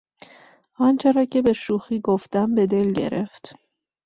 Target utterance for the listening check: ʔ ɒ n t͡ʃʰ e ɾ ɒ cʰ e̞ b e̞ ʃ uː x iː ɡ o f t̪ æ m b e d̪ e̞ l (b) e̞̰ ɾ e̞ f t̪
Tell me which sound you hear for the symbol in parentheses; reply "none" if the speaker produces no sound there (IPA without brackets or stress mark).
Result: ɟ